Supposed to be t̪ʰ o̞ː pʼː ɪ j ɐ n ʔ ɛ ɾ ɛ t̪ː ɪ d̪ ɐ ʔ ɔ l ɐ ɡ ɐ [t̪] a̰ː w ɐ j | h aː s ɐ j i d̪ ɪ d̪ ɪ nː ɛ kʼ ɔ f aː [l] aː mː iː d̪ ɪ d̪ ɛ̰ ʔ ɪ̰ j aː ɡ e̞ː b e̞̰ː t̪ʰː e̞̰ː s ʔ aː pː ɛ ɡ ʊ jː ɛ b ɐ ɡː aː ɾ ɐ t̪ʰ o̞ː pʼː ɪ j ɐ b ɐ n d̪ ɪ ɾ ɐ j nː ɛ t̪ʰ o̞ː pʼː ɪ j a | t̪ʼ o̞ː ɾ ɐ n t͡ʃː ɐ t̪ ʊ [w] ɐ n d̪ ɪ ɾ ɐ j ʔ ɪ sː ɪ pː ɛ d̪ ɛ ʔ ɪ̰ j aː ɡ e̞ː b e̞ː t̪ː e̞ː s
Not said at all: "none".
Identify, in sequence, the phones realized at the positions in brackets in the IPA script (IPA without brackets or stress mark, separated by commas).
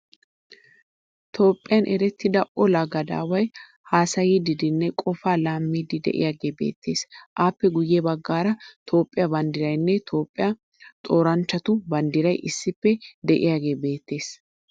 d̪, l, b